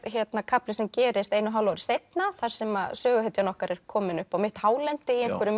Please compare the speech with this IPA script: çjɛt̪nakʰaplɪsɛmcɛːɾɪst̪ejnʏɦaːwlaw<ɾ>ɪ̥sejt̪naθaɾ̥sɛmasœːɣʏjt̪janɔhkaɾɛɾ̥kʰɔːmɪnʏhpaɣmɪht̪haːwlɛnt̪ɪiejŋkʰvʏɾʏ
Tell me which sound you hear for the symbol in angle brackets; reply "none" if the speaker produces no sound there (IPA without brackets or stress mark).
ɾ